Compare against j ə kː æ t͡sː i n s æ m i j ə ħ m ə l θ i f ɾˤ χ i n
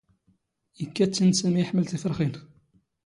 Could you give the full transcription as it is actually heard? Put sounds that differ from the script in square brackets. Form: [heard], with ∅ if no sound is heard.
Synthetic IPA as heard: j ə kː æ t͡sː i n s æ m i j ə ħ m ə l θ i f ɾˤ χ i n